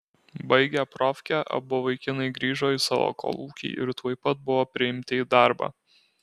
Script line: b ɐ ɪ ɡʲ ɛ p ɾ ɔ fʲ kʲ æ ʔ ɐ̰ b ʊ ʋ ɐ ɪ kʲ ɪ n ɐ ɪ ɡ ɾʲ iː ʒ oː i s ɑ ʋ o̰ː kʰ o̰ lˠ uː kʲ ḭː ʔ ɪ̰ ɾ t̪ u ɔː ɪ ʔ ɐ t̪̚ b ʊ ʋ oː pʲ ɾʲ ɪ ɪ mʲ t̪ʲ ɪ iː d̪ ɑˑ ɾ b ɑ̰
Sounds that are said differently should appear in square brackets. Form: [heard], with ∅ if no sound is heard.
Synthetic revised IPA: b ɐ ɪ ɡʲ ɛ p ɾ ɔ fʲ kʲ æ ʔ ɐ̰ b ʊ ʋ ɐ ɪ kʲ ɪ n ɐ ɪ ɡ ɾʲ iː ʒ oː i s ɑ ʋ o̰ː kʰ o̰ lˠ uː kʲ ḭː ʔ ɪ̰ ɾ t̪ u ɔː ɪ [p] ɐ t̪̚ b ʊ ʋ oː pʲ ɾʲ ɪ ɪ mʲ t̪ʲ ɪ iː d̪ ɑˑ ɾ b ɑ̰